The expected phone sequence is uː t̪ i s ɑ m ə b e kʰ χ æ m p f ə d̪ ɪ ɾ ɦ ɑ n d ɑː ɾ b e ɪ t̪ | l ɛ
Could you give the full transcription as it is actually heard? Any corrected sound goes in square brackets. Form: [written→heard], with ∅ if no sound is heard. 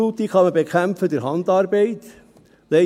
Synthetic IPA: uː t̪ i [s→χ] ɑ m ə b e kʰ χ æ m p f ə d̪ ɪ ɾ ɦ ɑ n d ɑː ɾ b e ɪ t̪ | l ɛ